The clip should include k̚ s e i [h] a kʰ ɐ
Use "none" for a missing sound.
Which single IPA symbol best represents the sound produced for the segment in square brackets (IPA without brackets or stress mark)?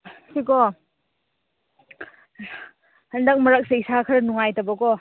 s